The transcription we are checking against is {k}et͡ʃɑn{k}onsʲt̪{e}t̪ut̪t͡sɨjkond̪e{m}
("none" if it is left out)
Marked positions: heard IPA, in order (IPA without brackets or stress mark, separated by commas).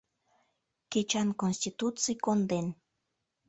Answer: k, k, i, n